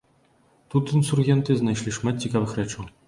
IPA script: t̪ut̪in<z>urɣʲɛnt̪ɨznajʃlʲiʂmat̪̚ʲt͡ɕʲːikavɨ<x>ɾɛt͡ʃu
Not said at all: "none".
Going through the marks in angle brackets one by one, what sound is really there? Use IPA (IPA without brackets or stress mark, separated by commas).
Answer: s, x